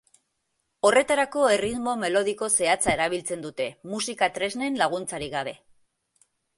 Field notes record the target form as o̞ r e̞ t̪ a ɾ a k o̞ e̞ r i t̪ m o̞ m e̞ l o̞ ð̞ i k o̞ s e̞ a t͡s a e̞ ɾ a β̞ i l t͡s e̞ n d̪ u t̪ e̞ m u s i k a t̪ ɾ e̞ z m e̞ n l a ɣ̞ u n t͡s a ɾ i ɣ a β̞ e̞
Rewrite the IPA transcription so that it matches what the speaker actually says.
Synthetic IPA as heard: o̞ r e̞ t̪ a ɾ a k o̞ e̞ r i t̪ m o̞ m e̞ l o̞ ð̞ i k o̞ s e̞ a t͡s a e̞ ɾ a β̞ i l t͡s e̞ n d̪ u t̪ e̞ m u s i k a t̪ ɾ e̞ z n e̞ n l a ɣ̞ u n t͡s a ɾ i ɣ a β̞ e̞

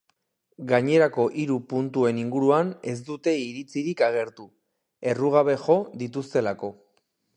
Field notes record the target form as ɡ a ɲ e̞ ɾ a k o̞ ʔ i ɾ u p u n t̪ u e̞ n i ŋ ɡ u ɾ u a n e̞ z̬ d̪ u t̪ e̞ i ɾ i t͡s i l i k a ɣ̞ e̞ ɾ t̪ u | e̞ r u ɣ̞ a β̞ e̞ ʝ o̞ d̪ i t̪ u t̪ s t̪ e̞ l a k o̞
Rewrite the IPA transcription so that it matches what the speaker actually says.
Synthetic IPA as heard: ɡ a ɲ e̞ ɾ a k o̞ ʔ i ɾ u p u n t̪ u e̞ n i ŋ ɡ u ɾ u a n e̞ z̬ d̪ u t̪ e̞ i ɾ i t͡s i ɾ i k a ɣ̞ e̞ ɾ t̪ u | e̞ r u ɣ̞ a β̞ e̞ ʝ o̞ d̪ i t̪ u s t̪ e̞ l a k o̞

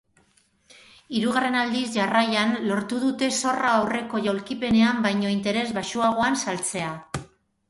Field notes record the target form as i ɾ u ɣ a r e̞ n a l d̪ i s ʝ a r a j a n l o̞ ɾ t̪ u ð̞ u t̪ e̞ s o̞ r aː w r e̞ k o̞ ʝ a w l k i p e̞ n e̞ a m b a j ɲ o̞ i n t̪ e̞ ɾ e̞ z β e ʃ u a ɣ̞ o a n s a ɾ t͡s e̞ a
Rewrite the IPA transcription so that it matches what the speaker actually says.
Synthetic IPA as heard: i ɾ u ɣ a r e̞ n a l d̪ i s ʝ a r a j a n l o̞ ɾ t̪ u ð̞ u t̪ e̞ s o̞ r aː w r e̞ k o̞ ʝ a w l k i p e̞ n e̞ a m b a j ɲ o̞ i n t̪ e̞ ɾ e̞ z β a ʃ u a ɣ̞ o a n s a l t͡s e̞ a

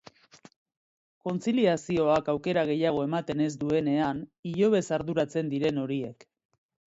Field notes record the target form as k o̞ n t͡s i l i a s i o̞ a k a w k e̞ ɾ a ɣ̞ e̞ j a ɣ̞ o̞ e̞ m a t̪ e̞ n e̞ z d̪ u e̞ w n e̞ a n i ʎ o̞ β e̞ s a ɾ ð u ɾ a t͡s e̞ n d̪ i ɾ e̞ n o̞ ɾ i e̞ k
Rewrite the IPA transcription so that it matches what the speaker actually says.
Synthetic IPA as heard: k o̞ n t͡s i l i a s i o̞ a k a w k e̞ ɾ a ɣ̞ e̞ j a ɣ̞ o̞ e̞ m a t̪ e̞ n e̞ z d̪ u e̞ n e̞ a n i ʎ o̞ β e̞ s a ɾ ð u ɾ a t͡s e̞ n d̪ i ɾ e̞ n o̞ ɾ i e̞ k

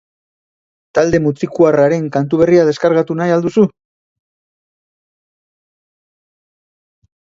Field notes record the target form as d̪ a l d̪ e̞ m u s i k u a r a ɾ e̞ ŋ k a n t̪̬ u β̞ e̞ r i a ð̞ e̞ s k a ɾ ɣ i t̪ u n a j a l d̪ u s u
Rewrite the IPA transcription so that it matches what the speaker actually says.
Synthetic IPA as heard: t̪ a l d̪ e̞ m u t͡s i k u a r a ɾ e̞ ŋ k a n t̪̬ u β̞ e̞ r i a ð̞ e̞ s k a ɾ ɣ a t̪ u n a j a l d̪ u s u

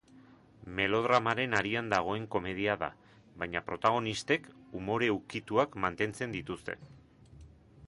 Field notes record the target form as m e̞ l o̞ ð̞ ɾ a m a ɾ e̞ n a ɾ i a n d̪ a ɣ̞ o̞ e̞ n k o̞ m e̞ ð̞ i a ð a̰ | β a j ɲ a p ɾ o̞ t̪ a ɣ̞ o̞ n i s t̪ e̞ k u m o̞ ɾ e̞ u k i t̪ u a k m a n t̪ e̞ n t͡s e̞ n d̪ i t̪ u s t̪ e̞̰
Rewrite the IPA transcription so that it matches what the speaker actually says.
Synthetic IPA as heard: m e̞ l o̞ ð̞ ɾ a m a ɾ e̞ n a ɾ i a n d̪ a ɣ̞ o̞ e̞ ŋ k o̞ m e̞ ð̞ i a ð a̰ | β a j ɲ a p ɾ o̞ t̪ a ɣ̞ o̞ n i s t̪ e̞ k u m o̞ ɾ e̞ u k i t̪ u a k m a n t̪ e̞ n t͡s e̞ n d̪ i t̪ u s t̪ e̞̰

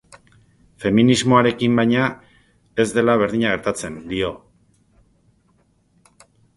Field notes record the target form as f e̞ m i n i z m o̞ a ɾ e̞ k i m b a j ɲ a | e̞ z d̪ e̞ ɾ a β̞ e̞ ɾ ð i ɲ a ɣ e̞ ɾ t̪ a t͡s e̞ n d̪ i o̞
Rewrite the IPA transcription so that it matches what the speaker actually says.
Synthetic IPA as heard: f e̞ m i n i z m o̞ a ɾ e̞ k i m b a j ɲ a | e̞ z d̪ e̞ l a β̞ e̞ ɾ ð i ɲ a ɣ e̞ ɾ t̪ a t͡s e̞ n d̪ i o̞

